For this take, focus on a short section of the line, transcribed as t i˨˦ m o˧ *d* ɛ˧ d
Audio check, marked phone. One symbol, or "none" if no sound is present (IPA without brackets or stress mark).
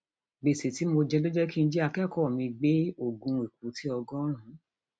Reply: d͡ʒ